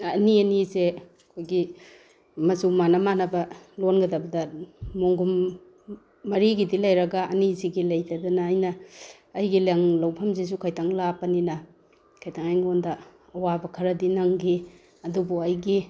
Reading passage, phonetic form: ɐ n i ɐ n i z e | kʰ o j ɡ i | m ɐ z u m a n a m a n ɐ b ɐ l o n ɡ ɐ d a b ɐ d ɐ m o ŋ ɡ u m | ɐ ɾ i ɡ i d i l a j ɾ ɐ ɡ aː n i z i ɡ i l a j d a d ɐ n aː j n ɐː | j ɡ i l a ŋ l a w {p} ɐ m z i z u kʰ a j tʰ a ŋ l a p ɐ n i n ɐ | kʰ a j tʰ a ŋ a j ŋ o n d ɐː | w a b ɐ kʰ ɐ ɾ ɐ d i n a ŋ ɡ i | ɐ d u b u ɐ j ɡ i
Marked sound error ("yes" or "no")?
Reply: yes